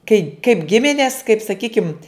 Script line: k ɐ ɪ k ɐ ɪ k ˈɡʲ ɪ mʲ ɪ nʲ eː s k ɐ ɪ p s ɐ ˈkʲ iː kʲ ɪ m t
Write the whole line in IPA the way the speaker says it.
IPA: k ɐ ɪ k ɐ ɪ p ˈɡʲ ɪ mʲ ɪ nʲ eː s k ɐ ɪ p s ɐ ˈkʲ iː kʲ ɪ m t

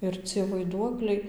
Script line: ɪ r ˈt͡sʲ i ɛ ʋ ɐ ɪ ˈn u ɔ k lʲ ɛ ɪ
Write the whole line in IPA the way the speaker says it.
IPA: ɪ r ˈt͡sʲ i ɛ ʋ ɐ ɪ ˈd u ɔ k lʲ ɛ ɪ

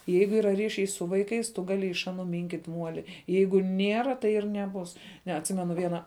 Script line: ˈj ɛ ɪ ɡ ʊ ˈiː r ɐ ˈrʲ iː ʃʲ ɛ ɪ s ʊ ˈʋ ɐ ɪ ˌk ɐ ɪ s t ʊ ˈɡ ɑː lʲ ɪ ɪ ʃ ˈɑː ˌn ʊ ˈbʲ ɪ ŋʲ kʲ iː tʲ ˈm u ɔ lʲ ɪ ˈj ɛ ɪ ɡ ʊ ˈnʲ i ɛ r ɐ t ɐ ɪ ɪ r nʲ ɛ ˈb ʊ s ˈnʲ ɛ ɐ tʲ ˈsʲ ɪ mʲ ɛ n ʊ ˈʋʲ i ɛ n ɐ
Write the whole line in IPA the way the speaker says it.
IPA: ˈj ɛ ɪ ɡ ʊ ˈiː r ɐ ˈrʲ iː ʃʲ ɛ ɪ s ʊ ˈʋ ɐ ɪ ˌk ɐ ɪ s t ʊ ˈɡ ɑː lʲ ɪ ɪ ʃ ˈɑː ˌn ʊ ˈmʲ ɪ ŋʲ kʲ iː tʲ ˈm u ɔ lʲ ɪ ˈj ɛ ɪ ɡ ʊ ˈnʲ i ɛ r ɐ t ɐ ɪ ɪ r nʲ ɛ ˈb ʊ s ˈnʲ ɛ ɐ tʲ ˈsʲ ɪ mʲ ɛ n ʊ ˈʋʲ i ɛ n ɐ

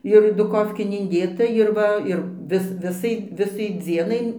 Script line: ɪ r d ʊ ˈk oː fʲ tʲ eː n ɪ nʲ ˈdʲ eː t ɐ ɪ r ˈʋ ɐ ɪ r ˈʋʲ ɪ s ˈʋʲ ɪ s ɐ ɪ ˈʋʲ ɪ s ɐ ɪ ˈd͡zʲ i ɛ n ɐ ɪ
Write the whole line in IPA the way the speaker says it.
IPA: ɪ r d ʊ ˈk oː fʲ kʲ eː n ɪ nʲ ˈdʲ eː t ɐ ɪ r ˈʋ ɐ ɪ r ˈʋʲ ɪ s ˈʋʲ ɪ s ɐ ɪ ˈʋʲ ɪ s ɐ ɪ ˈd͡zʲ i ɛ n ɐ ɪ

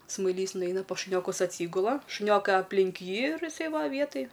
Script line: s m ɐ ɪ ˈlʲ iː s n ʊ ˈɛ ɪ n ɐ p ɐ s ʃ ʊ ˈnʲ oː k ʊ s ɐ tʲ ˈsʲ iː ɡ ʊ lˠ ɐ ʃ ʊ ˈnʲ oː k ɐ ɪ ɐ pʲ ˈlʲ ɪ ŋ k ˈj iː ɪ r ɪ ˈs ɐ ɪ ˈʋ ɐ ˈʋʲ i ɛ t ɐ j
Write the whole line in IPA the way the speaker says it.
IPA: s m ɐ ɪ ˈlʲ iː s n ʊ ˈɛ ɪ n ɐ p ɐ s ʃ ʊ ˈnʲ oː k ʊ s ɐ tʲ ˈsʲ iː ɡ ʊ lˠ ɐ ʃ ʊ ˈnʲ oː k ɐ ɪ ɐ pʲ ˈlʲ ɪ ŋ k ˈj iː ɪ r ɪ ˈs ɐ ɪ ˈʋ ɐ ˈʋʲ i ɛ t ɐ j

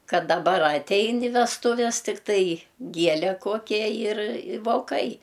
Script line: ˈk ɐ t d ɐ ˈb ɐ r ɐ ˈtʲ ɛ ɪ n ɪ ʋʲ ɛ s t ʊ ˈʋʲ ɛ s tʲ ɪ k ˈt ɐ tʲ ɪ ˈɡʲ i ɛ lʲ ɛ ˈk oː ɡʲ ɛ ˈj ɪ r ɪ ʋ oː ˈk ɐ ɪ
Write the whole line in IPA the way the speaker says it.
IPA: ˈk ɐ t d ɐ ˈb ɐ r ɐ ˈtʲ ɛ ɪ n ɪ ʋʲ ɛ s t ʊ ˈʋʲ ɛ s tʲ ɪ k ˈt ɐ ɪ ˈɡʲ i ɛ lʲ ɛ ˈk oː kʲ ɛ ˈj ɪ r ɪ ʋ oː ˈk ɐ ɪ

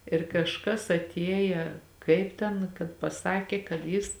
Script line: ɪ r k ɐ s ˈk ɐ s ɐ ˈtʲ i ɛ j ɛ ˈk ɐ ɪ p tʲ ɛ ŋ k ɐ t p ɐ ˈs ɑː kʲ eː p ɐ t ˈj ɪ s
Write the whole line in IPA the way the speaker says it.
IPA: ɪ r k ɐ ʃ ˈk ɐ s ɐ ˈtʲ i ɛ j ɛ ˈk ɐ ɪ p tʲ ɛ n k ɐ t p ɐ ˈs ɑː kʲ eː k ɐ t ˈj ɪ s

